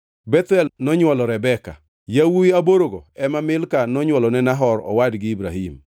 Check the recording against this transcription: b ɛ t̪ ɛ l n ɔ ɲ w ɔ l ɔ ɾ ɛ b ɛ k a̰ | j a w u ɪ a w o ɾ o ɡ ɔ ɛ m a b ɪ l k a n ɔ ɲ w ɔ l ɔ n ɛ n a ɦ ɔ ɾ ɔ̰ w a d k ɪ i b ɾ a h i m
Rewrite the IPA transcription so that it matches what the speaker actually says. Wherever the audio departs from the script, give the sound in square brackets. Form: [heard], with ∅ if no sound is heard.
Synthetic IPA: b ɛ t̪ ɛ l n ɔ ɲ w ɔ l ɔ ɾ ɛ b ɛ k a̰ | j a w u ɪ a [b] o ɾ o ɡ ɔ ɛ m a [m] ɪ l k a n ɔ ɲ w ɔ l ɔ n ɛ n a ɦ ɔ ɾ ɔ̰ w a d [ɡ] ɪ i b ɾ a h i m